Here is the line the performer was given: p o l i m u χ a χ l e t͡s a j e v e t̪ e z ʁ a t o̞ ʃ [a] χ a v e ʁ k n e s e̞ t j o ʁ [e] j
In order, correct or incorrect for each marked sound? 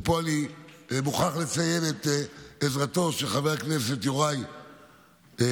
incorrect: e, incorrect: a

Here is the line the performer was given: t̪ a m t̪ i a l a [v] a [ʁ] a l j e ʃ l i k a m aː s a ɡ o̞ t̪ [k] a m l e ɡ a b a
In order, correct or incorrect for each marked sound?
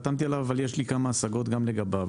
correct, incorrect: v, incorrect: ɡ

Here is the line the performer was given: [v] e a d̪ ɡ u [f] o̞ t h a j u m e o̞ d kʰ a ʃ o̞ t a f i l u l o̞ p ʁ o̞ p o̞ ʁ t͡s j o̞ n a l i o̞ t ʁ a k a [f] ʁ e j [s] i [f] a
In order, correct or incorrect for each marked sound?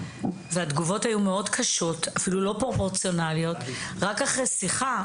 correct, incorrect: v, incorrect: χ, correct, incorrect: χ

